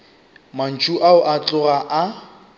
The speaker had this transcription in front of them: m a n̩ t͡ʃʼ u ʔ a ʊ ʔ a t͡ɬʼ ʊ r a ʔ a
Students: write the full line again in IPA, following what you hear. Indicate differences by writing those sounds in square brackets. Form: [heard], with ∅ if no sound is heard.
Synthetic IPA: m a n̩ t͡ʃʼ u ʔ a ʊ ʔ a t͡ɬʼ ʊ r a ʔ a